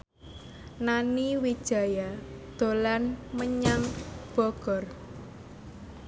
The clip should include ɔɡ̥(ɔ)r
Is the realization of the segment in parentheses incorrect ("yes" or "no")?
no